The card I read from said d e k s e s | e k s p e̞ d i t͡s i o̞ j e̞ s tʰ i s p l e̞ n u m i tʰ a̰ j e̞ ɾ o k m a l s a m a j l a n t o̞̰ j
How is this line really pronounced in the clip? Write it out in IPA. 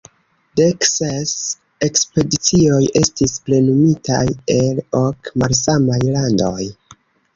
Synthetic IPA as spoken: d e k s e s | e k s p e̞ d i t͡s i o̞ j e̞ s t i s p l e̞ n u m i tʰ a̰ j e̞ l o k m a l s a m a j l a n d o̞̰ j

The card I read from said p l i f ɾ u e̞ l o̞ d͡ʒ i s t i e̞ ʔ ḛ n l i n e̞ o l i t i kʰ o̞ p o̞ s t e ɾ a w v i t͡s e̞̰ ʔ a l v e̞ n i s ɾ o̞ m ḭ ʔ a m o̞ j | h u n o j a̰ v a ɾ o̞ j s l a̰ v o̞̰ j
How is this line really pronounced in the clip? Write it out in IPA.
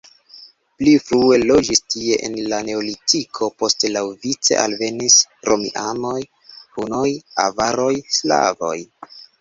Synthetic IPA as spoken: p l i f ɾ u e̞ l o̞ d͡ʒ i s t i e̞ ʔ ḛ n l a n e̞ o l i t i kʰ o̞ p o̞ s t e l a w v i t͡s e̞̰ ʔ a l v e̞ n i s ɾ o̞ m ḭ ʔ a m o̞ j | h u n o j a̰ v a ɾ o̞ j s l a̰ v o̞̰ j

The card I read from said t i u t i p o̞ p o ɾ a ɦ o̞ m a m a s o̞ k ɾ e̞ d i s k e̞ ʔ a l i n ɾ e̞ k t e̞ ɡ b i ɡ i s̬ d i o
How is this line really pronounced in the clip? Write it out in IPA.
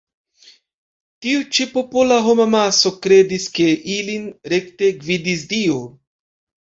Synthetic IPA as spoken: t i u t͡ʃ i p o̞ p o l a ɦ o̞ m a m a s o̞ k ɾ e̞ d i s k e̞ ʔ i l i n ɾ e̞ k t e̞ ɡ v i d i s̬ d i o

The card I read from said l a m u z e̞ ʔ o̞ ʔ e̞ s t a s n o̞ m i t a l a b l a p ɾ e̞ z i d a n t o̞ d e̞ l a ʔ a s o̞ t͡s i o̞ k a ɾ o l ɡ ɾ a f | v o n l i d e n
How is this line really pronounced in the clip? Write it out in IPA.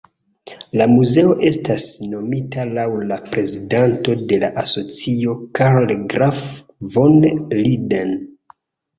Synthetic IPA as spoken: l a m u z e̞ o̞ ʔ e̞ s t a s n o̞ m i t a l a w l a p ɾ e̞ z i d a n t o̞ d e̞ l a ʔ a s o̞ t͡s i o̞ k a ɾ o l ɡ ɾ a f | v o n l i d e n

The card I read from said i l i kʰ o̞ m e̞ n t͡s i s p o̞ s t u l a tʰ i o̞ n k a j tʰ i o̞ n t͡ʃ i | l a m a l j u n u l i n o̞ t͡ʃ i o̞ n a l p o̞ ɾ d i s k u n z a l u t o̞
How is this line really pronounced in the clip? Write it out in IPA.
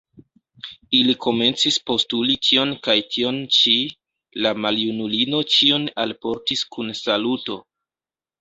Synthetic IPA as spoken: i l i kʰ o̞ m e̞ n t͡s i s p o̞ s t u l i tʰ i o̞ n k a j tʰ i o̞ n t͡ʃ i | l a m a l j u n u l i n o̞ t͡ʃ i o̞ n a l p o̞ ɾ t i s k u n s a l u t o̞

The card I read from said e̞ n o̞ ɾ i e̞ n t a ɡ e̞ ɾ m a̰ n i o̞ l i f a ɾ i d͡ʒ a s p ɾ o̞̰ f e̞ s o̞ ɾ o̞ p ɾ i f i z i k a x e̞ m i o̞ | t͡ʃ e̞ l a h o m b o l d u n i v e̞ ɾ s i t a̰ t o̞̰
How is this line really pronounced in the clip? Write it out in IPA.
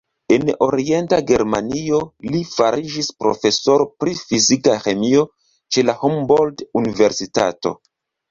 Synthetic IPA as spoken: e̞ n o̞ ɾ i e̞ n t a ɡ e̞ ɾ m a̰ n i o̞ l i f a ɾ i d͡ʒ i s p ɾ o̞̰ f e̞ s o̞ ɾ o̞ p ɾ i f i z i k a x e̞ m i o̞ | t͡ʃ e̞ l a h o m b o l d u n i v e̞ ɾ s i t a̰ t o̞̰

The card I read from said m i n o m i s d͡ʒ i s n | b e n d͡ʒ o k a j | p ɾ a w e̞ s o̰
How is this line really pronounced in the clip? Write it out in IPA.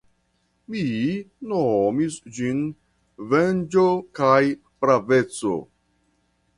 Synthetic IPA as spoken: m i n o m i s d͡ʒ i n | v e n d͡ʒ o k a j | p ɾ a v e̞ t͡s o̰

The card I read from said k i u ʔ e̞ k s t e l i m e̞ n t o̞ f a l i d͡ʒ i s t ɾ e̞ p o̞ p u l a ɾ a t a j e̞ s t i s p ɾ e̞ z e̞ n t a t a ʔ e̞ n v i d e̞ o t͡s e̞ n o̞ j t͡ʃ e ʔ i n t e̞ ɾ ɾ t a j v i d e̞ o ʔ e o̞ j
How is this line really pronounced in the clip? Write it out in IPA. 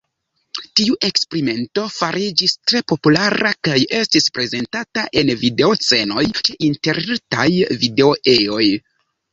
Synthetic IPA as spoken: t i u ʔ e̞ k s p e ɾ i m e̞ n t o̞ f a ɾ i d͡ʒ i s t ɾ e̞ p o̞ p u l a ɾ a k a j e̞ s t i s p ɾ e̞ z e̞ n t a t a ʔ e̞ n v i d e̞ o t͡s e̞ n o̞ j t͡ʃ e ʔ i n t e̞ ɾ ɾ t a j v i d e̞ o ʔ e o̞ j

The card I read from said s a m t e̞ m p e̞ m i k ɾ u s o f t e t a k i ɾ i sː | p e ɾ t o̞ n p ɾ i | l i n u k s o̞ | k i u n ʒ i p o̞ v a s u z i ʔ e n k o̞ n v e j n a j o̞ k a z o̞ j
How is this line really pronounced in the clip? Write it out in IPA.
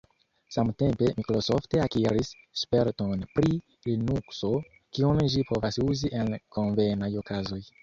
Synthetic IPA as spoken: s a m t e̞ m p e̞ m i k ɾ o s o f t e a k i ɾ i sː | p e ɾ t o̞ n p ɾ i | l i n u k s o̞ | k i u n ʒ i p o̞ v a s u z i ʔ e n k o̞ n v e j n a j o̞ k a z o̞ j

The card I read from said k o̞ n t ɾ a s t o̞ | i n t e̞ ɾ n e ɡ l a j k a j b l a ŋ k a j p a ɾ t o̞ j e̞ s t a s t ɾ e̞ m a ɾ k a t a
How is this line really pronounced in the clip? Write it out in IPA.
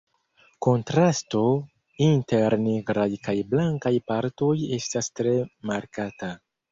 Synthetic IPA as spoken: k o̞ n t ɾ a s t o̞ | i n t e̞ ɾ n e ɡ ɾ a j k a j b l a ŋ k a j p a ɾ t o̞ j e̞ s t a s t ɾ e̞ m a ɾ k a t a

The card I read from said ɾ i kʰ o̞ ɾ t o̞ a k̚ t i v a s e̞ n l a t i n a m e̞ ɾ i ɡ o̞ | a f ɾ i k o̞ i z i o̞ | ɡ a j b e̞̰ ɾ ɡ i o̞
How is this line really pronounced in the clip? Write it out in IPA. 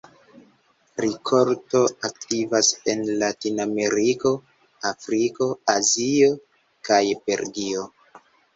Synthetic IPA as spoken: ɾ i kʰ o̞ ɾ t o̞ a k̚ t i v a s e̞ n l a t i n a m e̞ ɾ i k o̞ | a f ɾ i k o̞ a z i o̞ | k a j b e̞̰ ɾ ɡ i o̞

